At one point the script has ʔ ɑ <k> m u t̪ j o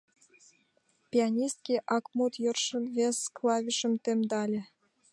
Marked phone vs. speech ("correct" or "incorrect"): correct